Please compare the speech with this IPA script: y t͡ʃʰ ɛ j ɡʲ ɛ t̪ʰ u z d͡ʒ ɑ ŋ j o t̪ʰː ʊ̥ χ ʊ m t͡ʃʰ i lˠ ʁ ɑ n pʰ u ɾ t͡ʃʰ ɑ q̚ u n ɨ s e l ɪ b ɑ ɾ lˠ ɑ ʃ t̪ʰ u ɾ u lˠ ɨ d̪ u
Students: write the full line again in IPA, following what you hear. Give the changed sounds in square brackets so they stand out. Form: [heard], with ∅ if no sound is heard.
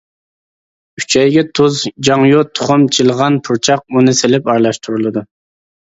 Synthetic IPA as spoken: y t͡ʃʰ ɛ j ɡʲ ɛ t̪ʰ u z d͡ʒ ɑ ŋ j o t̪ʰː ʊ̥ χ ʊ m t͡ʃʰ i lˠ ʁ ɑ n pʰ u ɾ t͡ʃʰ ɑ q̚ u n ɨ s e l ɪ [p] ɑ ɾ lˠ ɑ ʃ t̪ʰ u ɾ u lˠ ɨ d̪ u